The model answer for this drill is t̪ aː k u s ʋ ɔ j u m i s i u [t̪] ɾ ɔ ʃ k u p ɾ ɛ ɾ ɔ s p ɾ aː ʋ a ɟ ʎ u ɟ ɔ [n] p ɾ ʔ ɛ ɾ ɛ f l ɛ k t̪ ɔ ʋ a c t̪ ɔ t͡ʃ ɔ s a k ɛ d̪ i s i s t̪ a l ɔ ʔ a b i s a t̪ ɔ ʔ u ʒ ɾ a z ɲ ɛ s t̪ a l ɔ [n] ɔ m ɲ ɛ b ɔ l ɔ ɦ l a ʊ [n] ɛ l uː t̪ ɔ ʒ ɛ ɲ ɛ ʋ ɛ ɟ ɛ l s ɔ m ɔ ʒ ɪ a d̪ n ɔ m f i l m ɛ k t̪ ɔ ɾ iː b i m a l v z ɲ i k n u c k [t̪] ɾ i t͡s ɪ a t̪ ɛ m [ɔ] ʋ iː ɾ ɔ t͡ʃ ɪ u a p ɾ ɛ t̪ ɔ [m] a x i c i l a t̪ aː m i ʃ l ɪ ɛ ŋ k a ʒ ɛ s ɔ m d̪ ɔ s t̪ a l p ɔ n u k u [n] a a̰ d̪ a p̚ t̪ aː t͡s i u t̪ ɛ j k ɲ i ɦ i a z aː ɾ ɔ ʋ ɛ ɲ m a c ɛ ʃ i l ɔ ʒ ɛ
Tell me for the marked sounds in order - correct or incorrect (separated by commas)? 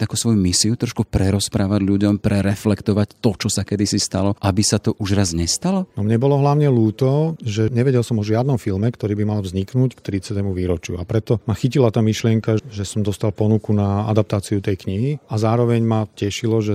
correct, incorrect, correct, incorrect, correct, incorrect, correct, correct